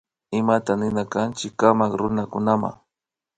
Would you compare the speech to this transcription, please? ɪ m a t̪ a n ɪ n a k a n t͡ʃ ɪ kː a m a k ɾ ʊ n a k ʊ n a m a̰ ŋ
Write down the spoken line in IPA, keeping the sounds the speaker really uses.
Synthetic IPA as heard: ɪ m a t̪ a n ɪ n a k a n t͡ʃ ɪ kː a m a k ɾ ʊ n a k ʊ n a m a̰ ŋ